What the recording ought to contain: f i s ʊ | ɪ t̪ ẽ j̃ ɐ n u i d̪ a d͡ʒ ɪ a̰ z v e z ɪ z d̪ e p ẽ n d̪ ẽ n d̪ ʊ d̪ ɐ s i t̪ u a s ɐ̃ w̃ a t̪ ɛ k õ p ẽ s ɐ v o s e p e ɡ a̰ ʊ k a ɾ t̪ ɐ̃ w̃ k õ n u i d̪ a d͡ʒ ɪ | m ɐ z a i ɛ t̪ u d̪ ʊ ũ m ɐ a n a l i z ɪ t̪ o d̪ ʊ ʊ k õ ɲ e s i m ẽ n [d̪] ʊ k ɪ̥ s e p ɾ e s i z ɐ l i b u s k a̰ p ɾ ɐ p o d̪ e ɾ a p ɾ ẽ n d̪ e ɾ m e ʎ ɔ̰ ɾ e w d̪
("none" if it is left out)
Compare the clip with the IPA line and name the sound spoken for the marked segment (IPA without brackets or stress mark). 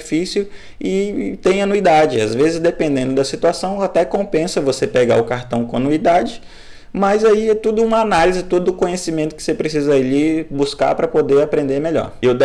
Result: t̪